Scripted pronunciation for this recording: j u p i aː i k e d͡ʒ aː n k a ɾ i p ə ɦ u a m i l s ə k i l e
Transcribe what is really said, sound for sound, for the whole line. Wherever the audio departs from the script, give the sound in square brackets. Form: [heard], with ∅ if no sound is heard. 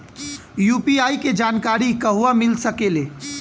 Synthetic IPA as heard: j u p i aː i k e d͡ʒ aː n k a ɾ i [k] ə ɦ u a m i l s ə k [e] l e